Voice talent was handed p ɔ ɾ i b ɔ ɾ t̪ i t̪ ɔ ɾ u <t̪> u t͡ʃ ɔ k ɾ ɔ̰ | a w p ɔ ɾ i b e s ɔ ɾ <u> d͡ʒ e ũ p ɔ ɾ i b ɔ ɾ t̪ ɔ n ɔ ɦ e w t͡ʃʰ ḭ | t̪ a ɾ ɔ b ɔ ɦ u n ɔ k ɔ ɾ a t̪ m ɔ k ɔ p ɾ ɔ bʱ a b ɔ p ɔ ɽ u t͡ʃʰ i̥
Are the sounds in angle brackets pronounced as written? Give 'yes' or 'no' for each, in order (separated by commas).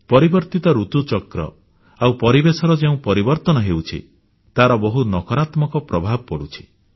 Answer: yes, no